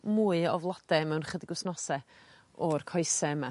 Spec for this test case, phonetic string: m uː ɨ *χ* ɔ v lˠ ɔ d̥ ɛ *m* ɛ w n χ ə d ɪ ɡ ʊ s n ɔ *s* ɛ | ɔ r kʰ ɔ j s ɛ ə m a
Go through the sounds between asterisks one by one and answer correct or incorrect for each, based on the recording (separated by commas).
incorrect, correct, correct